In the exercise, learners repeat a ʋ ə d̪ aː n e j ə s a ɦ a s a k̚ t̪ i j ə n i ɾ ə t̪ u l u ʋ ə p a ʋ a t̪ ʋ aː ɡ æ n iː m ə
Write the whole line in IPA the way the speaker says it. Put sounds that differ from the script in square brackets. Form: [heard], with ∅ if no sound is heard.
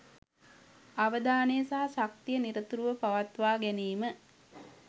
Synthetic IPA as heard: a ʋ ə d̪ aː n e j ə s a ɦ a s a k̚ t̪ i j ə n i ɾ ə t̪ u [ɾ] u ʋ ə p a ʋ a t̪ ʋ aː ɡ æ n iː m ə